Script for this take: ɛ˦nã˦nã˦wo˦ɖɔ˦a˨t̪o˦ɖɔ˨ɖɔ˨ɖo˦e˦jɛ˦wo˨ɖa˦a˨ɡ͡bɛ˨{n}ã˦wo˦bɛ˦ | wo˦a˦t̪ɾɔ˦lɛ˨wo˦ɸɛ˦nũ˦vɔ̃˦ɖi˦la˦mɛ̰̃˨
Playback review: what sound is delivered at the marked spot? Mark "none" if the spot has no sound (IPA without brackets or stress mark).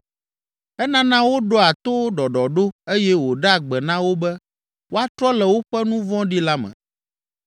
n